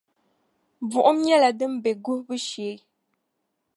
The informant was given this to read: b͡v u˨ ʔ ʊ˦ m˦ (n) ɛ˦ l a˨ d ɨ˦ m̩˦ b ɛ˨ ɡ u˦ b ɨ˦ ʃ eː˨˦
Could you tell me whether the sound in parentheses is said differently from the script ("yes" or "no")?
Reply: yes